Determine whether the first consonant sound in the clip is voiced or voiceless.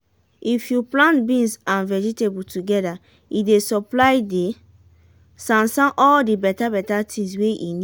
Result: voiceless